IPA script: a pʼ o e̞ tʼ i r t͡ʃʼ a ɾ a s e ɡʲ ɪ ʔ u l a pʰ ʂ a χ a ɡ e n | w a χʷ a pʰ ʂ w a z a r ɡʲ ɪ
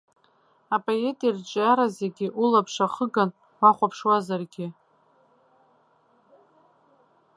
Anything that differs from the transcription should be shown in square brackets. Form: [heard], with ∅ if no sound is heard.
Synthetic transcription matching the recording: a pʼ o e̞ tʼ i r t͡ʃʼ a ɾ a [z] e ɡʲ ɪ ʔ u l a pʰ ʂ a χ [ə] ɡ [a] n | w a χʷ a pʰ ʂ w a z a r ɡʲ ɪ